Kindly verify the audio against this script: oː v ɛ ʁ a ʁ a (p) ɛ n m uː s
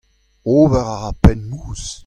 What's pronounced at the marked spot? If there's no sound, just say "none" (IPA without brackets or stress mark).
p